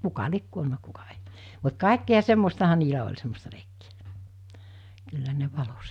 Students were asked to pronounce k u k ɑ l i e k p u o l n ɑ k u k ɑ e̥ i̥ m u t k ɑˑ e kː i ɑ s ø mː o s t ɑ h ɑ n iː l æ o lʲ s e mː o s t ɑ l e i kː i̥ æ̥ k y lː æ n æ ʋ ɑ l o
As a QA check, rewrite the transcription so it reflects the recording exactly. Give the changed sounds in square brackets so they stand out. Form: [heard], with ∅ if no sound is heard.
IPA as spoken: k u k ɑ l i e k [k] u o l n ɑ k u k ɑ e̥ i̥ m u t k ɑˑ e kː i ɑ s [e] mː o s t ɑ h ɑ n iː l æ o lʲ s e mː o s t ɑ l e i kː i̥ æ̥ k y lː æ n [e] ʋ ɑ l o